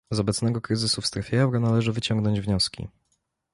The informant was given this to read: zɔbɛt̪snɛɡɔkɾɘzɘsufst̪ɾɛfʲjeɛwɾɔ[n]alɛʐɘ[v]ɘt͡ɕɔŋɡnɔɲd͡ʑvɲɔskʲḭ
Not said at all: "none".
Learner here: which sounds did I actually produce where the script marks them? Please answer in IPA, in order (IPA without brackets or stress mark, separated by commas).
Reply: n, v